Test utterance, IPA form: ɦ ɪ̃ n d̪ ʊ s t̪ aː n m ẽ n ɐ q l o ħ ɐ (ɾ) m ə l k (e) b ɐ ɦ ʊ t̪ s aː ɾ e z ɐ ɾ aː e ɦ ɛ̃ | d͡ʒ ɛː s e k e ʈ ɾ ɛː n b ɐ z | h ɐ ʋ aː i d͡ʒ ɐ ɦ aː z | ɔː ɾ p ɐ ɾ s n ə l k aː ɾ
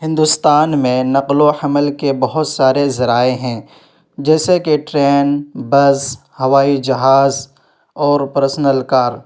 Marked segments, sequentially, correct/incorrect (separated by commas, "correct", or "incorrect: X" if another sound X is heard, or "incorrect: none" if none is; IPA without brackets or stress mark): incorrect: none, correct